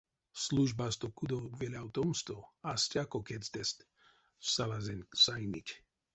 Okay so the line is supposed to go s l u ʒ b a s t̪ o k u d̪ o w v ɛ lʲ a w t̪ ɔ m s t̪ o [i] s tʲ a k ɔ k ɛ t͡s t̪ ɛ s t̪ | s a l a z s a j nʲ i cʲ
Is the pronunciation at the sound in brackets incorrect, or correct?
incorrect: a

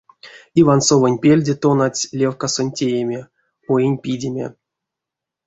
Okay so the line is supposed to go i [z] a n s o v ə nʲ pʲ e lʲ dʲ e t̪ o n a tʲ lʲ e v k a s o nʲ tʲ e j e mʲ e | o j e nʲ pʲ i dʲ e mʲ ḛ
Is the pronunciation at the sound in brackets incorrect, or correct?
incorrect: v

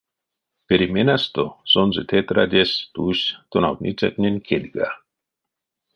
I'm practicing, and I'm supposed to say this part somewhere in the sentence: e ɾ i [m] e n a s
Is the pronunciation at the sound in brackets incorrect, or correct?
correct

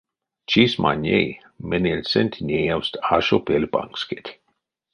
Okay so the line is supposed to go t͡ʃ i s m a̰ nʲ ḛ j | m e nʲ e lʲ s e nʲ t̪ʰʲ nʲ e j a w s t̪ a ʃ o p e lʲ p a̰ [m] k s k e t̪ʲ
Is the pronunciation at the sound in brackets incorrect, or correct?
incorrect: ŋ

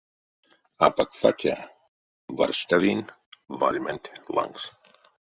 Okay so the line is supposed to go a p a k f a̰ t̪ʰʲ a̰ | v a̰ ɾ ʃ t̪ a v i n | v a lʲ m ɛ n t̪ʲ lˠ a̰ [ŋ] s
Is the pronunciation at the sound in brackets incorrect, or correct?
correct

